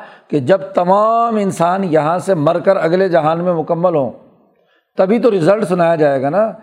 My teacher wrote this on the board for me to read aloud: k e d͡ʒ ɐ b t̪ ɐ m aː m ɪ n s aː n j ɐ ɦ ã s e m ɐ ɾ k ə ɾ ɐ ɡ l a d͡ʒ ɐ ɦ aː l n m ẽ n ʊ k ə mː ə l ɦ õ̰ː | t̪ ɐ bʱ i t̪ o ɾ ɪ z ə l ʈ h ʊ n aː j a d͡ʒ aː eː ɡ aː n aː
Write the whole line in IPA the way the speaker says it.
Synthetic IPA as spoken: k e d͡ʒ ɐ b t̪ ɐ m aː m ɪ n s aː n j ɐ ɦ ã s e m ɐ ɾ k ə ɾ ɐ ɡ l e d͡ʒ ɐ ɦ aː n m ẽ m ʊ k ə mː ə l ɦ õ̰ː | t̪ ɐ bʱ i t̪ o ɾ ɪ z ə l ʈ s ʊ n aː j a d͡ʒ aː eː ɡ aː n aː